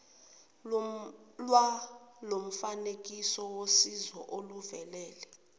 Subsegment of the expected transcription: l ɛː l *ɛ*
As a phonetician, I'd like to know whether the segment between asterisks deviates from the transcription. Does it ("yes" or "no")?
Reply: no